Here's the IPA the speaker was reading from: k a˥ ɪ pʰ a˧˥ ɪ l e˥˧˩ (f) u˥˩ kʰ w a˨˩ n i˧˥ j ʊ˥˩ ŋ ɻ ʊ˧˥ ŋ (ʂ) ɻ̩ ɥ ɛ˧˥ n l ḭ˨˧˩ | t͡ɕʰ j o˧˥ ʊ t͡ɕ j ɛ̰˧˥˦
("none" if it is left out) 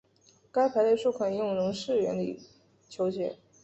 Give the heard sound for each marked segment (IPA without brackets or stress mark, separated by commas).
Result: ʂ, ʂ